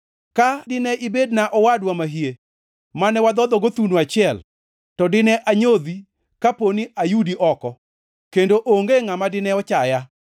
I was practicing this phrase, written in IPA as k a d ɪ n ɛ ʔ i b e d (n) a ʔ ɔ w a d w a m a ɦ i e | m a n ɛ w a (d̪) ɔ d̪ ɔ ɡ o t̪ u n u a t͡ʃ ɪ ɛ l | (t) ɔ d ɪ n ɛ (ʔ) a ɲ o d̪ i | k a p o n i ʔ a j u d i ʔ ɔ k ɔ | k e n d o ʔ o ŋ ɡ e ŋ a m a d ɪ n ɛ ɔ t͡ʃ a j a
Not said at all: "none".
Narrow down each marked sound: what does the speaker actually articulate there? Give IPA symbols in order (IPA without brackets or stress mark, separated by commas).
n, d̪, t, ʔ